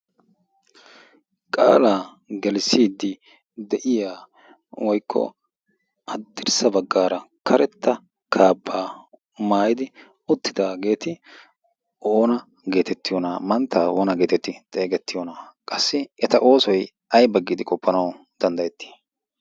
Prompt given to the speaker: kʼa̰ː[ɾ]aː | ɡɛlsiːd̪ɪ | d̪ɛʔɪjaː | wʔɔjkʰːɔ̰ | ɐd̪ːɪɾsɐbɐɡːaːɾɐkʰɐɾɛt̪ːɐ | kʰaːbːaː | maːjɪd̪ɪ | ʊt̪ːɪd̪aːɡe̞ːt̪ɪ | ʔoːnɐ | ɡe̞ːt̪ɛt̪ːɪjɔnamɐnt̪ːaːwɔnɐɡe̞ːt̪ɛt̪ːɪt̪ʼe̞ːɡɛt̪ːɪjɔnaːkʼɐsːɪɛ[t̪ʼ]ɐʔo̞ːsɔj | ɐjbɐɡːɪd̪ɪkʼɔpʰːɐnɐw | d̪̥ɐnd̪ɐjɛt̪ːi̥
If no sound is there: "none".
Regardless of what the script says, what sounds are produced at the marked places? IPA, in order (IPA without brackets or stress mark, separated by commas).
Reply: l, t̪